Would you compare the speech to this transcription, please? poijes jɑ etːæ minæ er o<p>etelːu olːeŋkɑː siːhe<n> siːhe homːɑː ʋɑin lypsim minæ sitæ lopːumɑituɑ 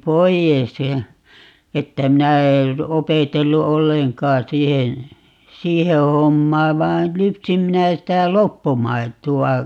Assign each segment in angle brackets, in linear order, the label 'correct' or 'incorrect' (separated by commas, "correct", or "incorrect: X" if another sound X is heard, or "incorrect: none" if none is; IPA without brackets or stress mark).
correct, correct